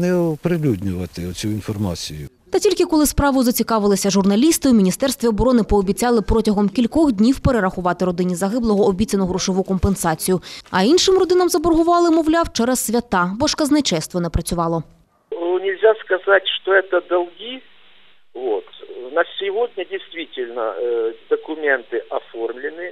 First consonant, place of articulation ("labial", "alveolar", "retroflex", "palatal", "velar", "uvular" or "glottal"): alveolar